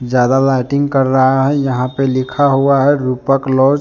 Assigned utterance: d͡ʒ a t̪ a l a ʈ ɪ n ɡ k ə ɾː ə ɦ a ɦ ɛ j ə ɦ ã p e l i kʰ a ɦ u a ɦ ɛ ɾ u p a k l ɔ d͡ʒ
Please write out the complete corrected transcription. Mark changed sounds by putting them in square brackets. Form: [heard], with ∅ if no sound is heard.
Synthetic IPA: d͡ʒ a [d̪] a l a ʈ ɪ [ŋ] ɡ k ə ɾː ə ɦ a ɦ ɛ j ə ɦ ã p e l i kʰ a ɦ u a ɦ ɛ ɾ u p [ə] k l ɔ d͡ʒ